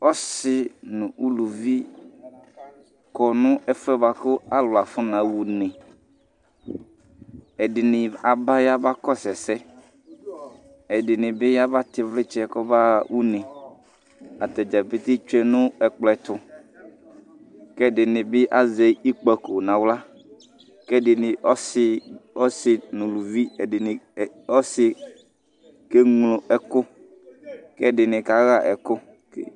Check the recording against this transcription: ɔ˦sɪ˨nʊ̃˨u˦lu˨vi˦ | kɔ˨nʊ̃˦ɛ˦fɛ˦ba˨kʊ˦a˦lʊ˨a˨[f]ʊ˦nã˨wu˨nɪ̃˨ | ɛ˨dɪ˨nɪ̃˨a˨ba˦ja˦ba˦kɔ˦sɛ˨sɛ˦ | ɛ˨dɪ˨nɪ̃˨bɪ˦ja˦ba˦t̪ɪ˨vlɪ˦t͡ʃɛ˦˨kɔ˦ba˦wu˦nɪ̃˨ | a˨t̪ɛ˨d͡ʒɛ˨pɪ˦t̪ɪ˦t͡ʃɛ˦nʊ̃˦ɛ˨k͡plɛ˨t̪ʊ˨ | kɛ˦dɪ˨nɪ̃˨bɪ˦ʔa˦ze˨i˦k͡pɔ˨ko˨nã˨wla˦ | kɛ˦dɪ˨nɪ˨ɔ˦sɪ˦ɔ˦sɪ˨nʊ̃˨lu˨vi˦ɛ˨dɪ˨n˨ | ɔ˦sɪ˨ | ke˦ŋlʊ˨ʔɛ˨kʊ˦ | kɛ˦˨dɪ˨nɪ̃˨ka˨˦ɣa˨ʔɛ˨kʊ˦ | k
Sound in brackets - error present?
no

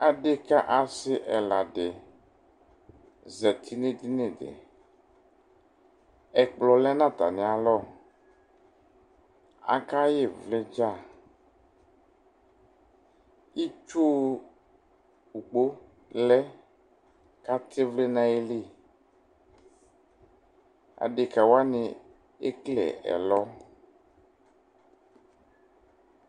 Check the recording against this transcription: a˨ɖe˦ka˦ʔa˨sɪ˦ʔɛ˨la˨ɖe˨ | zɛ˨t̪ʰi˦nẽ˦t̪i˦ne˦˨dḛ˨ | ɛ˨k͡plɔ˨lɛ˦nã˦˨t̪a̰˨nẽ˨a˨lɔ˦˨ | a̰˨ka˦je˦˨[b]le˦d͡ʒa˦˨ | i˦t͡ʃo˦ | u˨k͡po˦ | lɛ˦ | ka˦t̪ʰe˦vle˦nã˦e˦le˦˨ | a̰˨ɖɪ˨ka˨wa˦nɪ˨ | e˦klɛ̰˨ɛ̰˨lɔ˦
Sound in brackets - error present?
yes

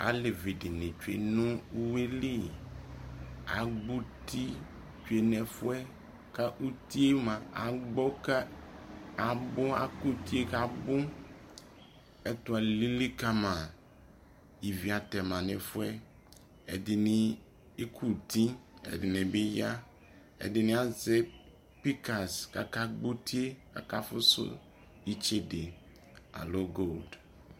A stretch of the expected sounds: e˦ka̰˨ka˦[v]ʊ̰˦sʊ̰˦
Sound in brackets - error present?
yes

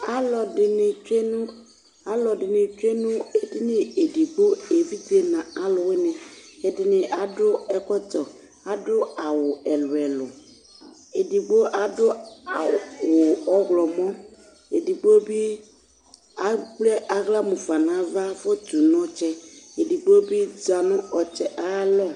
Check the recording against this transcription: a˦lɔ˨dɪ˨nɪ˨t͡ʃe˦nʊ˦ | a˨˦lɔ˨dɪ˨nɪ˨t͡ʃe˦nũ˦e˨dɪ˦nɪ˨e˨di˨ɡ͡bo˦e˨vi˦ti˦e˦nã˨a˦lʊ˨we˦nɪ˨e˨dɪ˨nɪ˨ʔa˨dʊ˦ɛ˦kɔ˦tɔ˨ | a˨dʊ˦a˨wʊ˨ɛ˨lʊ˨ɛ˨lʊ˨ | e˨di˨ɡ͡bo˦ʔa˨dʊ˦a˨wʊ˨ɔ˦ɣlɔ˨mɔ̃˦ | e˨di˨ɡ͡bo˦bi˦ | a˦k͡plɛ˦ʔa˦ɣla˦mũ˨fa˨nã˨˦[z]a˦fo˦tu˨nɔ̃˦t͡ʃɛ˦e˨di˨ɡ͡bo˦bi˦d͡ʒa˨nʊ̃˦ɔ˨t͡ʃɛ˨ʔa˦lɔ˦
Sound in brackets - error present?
yes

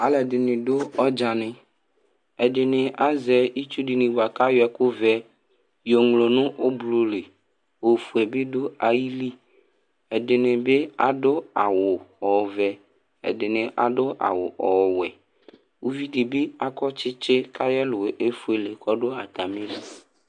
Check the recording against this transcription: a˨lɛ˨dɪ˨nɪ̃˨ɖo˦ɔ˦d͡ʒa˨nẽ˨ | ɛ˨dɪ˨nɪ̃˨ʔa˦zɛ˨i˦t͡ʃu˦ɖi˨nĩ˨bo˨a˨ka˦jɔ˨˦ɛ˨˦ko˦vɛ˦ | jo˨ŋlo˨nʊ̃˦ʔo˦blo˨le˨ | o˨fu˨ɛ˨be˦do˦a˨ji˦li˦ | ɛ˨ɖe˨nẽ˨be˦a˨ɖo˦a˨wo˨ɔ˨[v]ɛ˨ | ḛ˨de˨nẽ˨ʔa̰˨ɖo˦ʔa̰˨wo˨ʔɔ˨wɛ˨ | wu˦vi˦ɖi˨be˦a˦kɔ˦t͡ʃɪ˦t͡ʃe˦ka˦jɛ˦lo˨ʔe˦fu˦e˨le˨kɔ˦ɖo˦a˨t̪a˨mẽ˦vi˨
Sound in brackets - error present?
no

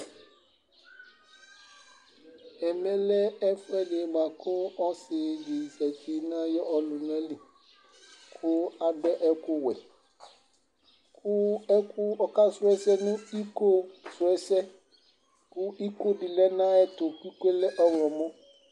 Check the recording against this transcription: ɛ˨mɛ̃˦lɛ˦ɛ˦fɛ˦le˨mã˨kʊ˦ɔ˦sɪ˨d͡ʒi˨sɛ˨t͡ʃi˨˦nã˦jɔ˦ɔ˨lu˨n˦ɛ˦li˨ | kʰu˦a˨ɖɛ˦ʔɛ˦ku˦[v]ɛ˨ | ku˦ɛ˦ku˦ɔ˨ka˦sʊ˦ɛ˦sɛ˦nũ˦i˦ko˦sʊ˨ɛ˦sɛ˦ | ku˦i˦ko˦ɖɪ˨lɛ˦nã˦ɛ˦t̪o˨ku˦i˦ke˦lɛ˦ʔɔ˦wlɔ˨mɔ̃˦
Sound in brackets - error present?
yes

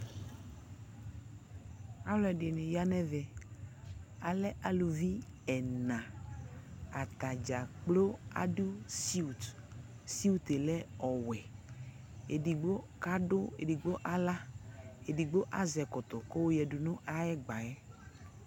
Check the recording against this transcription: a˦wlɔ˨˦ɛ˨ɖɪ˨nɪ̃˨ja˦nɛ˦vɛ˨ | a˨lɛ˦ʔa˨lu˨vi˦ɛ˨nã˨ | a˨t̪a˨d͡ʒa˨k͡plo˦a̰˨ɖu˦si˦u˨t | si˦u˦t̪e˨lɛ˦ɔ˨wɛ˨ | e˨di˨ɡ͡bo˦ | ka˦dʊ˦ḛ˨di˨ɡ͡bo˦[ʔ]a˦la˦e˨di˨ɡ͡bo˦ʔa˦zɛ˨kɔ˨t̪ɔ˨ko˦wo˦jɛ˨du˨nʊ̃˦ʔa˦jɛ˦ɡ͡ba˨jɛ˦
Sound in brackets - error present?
no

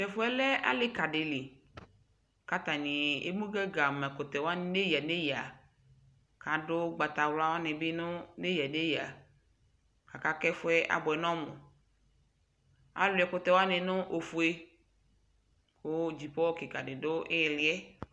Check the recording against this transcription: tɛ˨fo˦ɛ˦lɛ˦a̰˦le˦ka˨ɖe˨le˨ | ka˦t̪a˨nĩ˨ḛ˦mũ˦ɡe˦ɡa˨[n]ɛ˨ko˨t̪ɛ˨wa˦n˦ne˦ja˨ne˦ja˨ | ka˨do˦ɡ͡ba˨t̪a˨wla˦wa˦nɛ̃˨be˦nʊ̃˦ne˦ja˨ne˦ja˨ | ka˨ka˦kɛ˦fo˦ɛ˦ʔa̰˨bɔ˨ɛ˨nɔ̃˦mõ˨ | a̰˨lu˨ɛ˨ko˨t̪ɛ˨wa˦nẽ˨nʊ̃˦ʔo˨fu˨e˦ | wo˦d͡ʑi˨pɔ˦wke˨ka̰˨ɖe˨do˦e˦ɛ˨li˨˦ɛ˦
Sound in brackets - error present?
yes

